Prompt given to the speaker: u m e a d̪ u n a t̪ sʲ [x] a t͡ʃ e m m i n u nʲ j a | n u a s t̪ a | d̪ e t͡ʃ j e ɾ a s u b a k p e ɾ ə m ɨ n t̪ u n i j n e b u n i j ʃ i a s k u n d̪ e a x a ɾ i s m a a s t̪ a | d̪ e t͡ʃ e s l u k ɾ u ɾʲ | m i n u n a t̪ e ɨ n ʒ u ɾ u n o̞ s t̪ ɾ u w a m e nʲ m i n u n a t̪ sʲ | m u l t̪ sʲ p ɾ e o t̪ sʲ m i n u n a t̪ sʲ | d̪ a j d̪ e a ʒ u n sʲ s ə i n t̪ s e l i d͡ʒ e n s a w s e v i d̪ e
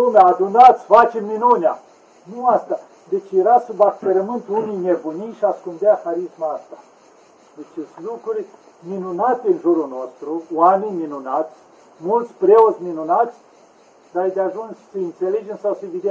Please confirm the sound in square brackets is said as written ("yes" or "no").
no